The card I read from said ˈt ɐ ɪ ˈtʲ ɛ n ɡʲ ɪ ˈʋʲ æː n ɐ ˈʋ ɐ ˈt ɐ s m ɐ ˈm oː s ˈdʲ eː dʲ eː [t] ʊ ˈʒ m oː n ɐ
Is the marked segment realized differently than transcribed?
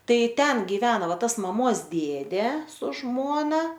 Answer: yes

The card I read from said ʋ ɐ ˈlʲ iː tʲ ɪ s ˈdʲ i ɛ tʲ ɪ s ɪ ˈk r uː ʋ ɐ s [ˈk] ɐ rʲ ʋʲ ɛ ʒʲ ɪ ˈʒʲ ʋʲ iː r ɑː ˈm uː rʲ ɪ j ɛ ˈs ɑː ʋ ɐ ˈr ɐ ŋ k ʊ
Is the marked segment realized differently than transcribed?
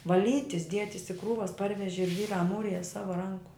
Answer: yes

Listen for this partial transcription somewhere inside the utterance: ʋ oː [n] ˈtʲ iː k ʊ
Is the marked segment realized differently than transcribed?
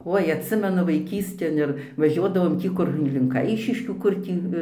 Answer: yes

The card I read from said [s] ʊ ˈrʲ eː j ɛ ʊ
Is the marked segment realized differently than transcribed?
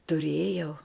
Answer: yes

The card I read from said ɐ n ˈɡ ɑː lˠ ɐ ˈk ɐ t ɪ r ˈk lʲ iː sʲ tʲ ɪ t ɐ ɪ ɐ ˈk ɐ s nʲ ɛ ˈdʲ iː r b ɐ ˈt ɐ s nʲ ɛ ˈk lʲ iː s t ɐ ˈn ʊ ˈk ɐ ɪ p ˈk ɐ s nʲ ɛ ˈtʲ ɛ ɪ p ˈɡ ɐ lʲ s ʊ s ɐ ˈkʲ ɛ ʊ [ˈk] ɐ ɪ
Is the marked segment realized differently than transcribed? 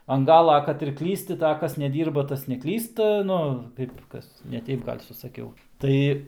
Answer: yes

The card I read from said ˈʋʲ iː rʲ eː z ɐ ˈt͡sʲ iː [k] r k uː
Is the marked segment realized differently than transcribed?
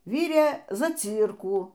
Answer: yes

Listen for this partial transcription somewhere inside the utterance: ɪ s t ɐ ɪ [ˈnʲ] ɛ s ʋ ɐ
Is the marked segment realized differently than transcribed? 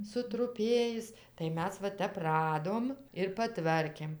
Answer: yes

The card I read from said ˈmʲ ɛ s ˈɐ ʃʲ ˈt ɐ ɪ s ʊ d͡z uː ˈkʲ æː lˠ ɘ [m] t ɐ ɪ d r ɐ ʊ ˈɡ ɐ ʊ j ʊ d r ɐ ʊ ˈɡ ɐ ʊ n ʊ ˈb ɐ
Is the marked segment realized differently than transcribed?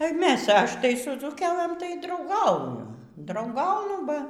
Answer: no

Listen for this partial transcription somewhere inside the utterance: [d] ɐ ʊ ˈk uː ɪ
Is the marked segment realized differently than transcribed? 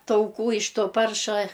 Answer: yes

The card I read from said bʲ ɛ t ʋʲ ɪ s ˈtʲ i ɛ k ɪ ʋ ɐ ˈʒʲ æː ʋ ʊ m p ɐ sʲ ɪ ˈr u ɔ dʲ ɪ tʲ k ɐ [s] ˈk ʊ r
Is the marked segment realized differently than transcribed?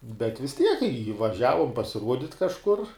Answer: yes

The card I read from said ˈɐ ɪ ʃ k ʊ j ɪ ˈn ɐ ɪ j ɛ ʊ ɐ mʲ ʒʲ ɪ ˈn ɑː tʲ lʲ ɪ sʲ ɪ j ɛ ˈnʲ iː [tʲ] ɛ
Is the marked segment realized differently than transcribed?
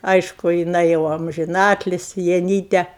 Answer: no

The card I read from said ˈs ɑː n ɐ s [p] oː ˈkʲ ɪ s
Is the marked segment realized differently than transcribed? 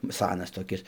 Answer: yes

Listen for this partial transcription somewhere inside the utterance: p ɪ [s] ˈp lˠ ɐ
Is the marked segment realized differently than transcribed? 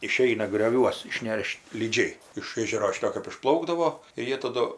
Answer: yes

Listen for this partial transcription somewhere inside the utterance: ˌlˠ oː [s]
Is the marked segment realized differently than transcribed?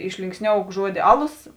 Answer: no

